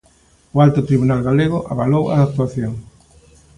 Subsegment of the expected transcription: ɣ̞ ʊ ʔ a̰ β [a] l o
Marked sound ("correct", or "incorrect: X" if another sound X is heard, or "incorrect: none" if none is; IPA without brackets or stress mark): correct